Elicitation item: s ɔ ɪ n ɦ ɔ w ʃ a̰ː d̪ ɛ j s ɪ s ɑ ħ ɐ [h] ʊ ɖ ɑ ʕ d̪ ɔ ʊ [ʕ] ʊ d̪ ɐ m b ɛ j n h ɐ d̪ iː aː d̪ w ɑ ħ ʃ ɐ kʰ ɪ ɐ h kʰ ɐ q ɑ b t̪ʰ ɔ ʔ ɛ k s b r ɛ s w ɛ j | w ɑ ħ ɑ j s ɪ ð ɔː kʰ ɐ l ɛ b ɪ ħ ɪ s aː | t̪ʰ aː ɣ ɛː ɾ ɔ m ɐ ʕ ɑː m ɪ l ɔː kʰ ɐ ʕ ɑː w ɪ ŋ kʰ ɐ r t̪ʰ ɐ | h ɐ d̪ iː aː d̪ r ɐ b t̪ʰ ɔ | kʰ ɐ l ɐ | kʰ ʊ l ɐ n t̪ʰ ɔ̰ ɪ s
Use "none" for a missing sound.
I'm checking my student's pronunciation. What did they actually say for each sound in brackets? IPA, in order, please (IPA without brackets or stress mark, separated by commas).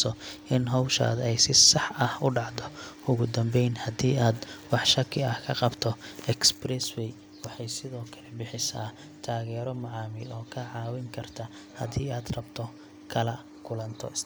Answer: h, ɣ